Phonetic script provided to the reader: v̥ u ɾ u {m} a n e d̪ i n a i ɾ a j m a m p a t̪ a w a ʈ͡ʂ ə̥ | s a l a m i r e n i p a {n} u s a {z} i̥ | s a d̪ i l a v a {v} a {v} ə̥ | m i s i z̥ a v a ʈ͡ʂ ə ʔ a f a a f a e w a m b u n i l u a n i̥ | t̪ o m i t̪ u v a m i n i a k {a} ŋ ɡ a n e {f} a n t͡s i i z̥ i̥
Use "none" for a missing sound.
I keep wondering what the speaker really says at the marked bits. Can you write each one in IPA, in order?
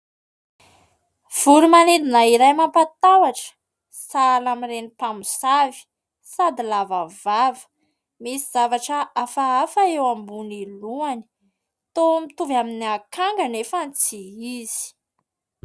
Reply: m, m, v, v, v, a, f

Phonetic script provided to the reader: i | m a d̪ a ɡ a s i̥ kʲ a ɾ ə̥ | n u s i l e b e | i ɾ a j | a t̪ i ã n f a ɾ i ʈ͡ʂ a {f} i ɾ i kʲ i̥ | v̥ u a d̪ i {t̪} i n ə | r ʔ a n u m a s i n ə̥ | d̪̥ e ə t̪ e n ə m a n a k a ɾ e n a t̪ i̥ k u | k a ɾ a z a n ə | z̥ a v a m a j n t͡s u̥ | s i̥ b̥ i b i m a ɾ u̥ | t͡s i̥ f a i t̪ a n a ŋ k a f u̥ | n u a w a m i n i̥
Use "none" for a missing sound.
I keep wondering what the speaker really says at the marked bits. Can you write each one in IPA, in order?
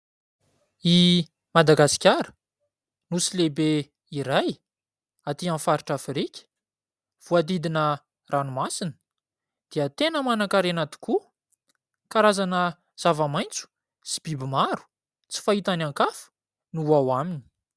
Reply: f, d̪

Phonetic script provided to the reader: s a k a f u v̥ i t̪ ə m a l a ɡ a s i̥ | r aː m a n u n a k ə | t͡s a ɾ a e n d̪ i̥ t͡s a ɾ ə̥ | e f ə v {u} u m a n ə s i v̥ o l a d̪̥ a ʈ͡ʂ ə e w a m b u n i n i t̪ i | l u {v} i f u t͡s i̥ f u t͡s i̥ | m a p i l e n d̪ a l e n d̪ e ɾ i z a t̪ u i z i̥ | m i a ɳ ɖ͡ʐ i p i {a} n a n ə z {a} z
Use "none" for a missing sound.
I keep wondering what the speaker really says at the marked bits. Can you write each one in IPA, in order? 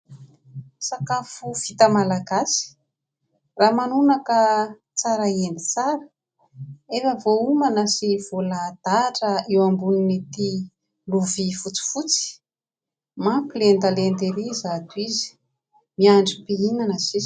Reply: o, v, i, i

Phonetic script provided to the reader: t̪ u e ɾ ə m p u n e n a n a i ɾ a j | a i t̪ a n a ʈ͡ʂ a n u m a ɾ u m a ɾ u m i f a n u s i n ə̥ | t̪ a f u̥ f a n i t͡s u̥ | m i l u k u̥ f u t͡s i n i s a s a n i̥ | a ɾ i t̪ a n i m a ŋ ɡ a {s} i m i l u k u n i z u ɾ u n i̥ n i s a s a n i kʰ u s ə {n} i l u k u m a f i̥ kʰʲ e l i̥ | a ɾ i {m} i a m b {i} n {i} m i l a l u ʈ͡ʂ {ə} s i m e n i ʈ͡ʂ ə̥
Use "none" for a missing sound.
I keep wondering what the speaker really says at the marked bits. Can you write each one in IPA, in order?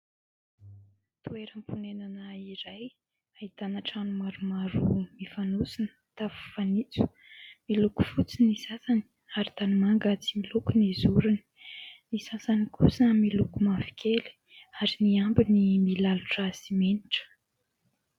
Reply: t͡s, m, n, i, i, a

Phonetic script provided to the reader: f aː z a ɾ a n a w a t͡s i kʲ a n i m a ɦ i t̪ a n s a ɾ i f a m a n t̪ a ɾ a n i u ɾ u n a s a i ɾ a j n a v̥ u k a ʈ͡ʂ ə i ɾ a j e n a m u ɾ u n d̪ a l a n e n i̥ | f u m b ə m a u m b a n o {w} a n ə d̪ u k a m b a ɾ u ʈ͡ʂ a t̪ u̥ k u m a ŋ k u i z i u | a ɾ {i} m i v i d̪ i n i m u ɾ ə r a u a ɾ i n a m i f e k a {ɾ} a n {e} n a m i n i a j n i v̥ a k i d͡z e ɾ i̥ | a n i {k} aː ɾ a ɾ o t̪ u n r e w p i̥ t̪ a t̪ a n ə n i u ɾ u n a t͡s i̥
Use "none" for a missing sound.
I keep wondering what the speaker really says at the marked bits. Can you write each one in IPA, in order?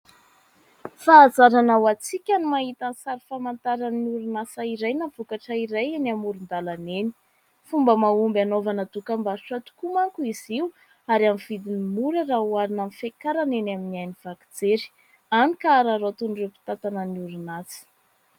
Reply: v, a, ɾ, e, k

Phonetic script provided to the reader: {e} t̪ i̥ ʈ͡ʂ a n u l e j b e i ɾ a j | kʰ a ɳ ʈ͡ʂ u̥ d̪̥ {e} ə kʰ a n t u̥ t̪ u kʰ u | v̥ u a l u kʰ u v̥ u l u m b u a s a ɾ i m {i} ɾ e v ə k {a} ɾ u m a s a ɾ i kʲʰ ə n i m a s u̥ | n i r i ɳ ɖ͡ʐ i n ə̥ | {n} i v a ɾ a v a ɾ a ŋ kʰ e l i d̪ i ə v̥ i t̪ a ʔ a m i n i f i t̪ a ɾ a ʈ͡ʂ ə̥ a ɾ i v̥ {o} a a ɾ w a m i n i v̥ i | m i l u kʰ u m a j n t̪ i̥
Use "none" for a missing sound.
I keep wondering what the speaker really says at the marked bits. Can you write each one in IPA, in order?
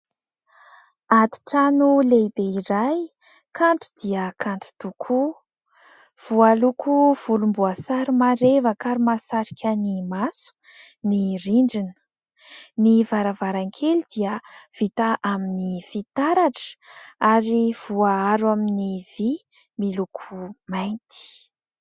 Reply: a, i, a, a, n, u

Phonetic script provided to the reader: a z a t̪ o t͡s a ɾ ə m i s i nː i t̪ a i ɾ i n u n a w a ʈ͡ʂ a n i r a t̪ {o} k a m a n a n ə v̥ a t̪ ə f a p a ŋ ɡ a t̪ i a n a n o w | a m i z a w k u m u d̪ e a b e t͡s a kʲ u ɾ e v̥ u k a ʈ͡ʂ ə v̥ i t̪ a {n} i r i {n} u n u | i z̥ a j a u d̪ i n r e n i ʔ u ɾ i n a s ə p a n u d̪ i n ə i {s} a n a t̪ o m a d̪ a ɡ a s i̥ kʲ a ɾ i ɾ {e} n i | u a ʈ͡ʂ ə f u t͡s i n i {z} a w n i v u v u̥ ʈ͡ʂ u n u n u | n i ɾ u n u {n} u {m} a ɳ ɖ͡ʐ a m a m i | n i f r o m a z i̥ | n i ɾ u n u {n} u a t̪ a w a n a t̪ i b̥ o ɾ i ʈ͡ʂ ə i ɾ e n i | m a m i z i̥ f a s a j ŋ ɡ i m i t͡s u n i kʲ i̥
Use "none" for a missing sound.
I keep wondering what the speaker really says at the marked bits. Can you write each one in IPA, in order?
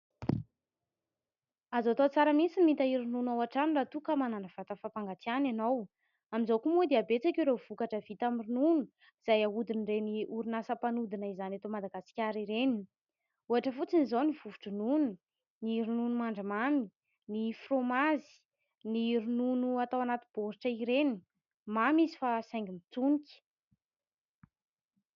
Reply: u, m, n, z, e, z, n, m, n

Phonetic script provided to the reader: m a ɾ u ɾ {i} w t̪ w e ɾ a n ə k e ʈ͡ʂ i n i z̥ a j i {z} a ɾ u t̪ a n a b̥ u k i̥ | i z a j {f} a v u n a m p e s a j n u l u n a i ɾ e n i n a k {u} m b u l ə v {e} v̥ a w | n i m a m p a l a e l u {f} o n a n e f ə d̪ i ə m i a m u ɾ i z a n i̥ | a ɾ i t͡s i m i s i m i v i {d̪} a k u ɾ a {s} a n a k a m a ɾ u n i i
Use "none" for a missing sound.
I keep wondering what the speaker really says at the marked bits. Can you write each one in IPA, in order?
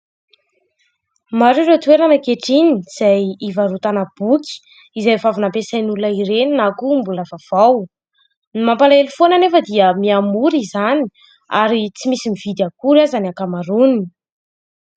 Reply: e, v, v, u, a, f, d̪, z

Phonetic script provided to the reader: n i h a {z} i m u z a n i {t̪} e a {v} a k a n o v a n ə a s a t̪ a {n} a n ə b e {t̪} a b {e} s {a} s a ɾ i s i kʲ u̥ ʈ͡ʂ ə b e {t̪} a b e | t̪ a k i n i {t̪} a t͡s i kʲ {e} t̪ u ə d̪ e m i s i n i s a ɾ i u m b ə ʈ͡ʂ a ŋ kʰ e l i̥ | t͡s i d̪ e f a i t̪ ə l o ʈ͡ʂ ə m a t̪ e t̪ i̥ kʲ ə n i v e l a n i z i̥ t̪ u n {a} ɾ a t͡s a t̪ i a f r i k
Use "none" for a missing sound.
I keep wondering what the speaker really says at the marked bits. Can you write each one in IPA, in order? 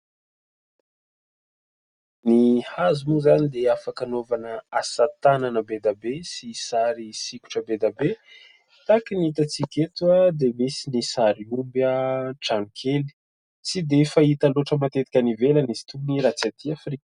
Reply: z, d̪, f, n, d̪, e, i, d̪, t̪, e, i

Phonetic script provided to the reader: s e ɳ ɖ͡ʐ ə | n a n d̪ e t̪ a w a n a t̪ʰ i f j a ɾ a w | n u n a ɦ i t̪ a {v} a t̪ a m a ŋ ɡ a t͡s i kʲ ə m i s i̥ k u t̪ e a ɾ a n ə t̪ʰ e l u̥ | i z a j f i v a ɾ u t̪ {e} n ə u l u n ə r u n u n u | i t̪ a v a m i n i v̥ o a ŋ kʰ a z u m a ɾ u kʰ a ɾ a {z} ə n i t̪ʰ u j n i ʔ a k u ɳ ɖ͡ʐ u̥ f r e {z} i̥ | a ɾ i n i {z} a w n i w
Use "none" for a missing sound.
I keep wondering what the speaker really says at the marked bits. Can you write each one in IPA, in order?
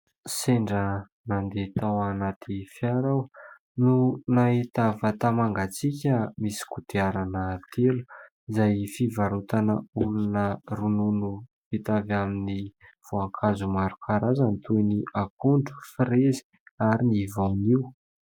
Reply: v, a, z, z, v

